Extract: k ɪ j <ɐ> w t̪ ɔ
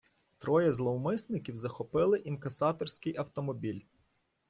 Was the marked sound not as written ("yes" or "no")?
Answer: no